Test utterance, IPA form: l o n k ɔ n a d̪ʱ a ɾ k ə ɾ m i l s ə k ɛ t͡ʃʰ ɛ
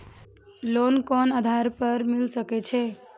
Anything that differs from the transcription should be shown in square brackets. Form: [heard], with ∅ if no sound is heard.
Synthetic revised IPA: l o n k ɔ n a d̪ʱ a ɾ [p] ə ɾ m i l s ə k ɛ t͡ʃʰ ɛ

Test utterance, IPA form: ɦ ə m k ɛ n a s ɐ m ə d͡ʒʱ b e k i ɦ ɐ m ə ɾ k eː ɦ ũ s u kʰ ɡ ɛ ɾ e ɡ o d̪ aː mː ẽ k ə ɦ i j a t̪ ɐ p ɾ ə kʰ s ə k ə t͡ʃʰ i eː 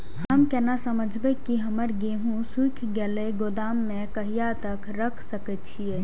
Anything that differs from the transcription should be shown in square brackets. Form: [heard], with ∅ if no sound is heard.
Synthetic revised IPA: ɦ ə m k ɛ n a s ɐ m ə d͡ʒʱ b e k i ɦ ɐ m ə ɾ [ɡ] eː ɦ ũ s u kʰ ɡ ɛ [l] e ɡ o d̪ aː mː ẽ k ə ɦ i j a t̪ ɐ [k] ɾ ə kʰ s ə k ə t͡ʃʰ i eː

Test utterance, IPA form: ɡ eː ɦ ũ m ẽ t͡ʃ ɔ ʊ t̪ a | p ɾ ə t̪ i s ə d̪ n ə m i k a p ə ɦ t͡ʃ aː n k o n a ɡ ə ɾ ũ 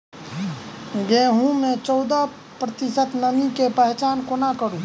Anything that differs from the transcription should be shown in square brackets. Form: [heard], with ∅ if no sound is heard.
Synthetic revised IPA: ɡ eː ɦ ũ m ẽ t͡ʃ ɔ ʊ [d̪] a | p ɾ ə t̪ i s ə [t̪] n ə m i k [e] p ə ɦ t͡ʃ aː n k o n a [k] ə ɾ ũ

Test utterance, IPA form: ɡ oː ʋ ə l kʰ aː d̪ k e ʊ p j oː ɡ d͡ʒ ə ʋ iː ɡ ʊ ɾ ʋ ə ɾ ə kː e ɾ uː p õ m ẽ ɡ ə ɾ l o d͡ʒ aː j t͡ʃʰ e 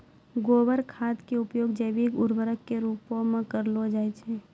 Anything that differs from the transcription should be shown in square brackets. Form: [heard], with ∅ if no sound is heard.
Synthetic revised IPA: ɡ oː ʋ ə [ɾ] kʰ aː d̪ k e ʊ p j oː ɡ d͡ʒ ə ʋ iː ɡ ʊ ɾ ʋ ə ɾ ə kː e ɾ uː p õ m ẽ [k] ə ɾ l o d͡ʒ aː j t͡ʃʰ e

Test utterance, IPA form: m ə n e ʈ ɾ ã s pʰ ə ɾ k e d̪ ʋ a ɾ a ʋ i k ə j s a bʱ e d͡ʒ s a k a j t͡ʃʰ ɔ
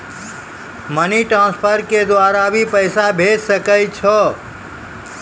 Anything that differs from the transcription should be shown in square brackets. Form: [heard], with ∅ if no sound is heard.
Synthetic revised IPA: m ə n [i] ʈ ɾ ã s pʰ ə ɾ k e d̪ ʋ a ɾ a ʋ i [p] ə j s a bʱ e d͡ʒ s [ə] k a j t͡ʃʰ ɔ

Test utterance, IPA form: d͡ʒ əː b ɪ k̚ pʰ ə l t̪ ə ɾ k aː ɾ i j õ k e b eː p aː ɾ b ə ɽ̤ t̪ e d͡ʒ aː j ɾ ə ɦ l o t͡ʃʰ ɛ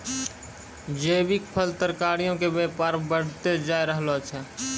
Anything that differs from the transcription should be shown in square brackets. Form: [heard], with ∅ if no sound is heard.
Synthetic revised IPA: d͡ʒ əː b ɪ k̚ pʰ ə l t̪ ə ɾ k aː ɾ i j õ k e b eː p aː ɾ b ə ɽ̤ t̪ e d͡ʒ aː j ɾ ə ɦ l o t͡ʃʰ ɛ

